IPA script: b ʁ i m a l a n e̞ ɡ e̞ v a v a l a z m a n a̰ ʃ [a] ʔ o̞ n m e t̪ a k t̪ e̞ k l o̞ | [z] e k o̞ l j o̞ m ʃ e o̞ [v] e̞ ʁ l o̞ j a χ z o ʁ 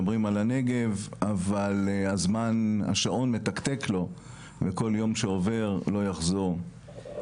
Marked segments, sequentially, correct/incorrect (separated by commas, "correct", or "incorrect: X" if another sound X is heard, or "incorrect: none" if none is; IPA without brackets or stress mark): correct, incorrect: v, correct